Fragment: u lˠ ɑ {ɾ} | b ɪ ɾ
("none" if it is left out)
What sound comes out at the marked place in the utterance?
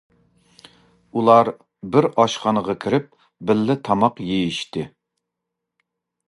ɾ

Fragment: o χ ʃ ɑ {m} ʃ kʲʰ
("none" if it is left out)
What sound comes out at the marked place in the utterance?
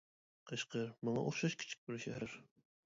none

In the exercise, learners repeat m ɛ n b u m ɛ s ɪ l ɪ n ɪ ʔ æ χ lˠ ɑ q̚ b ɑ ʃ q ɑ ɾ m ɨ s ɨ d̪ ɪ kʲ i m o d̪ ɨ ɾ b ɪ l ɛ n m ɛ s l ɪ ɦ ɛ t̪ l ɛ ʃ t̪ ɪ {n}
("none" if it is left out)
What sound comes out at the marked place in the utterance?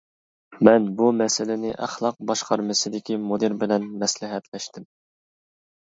m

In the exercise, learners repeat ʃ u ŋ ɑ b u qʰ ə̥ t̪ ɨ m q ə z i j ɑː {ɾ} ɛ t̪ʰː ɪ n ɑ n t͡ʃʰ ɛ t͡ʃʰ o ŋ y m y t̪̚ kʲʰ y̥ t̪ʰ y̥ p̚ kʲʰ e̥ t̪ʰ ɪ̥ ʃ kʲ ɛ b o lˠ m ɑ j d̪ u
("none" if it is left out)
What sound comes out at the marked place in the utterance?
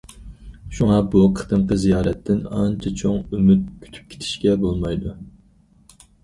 ɾ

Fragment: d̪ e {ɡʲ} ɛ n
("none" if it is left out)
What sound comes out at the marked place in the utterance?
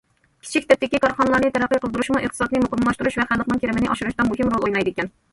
kʲ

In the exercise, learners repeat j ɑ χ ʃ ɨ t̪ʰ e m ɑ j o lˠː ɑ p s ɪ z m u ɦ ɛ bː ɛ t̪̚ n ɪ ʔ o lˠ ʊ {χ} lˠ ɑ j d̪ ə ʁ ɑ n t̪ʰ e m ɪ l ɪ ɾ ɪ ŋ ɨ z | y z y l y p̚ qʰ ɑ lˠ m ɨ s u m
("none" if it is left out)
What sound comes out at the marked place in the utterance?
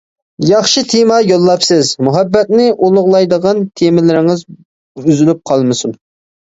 ʁ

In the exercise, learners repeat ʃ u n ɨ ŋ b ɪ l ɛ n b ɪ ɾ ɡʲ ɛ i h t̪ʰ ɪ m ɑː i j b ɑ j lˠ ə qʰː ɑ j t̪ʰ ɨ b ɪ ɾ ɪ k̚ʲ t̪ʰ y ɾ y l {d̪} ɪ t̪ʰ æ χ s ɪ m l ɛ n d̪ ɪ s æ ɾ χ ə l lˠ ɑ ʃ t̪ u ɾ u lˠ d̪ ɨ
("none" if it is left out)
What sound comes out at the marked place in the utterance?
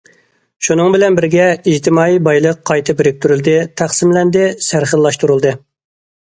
d̪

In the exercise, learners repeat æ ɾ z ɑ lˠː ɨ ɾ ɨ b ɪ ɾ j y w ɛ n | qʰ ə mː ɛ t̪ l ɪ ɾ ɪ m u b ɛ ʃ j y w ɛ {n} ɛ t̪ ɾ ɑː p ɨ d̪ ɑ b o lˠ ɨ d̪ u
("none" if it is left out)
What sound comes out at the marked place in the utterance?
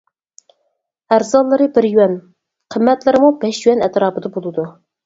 n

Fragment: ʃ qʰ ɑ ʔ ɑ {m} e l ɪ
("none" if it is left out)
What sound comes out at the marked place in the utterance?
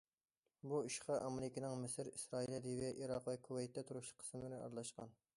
m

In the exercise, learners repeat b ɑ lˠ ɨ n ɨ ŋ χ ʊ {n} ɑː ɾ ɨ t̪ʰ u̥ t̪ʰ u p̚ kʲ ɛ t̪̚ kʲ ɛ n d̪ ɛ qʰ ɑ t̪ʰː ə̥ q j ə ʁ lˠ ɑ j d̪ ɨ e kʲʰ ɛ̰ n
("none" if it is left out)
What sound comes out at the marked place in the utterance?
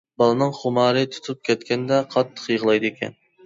m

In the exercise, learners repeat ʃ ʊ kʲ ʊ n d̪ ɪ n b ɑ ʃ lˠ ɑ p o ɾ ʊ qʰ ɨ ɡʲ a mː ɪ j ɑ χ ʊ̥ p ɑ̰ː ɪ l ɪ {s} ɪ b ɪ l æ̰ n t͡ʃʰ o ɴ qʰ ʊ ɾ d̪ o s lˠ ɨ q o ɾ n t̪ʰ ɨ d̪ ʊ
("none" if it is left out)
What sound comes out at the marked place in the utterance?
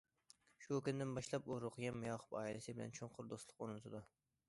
s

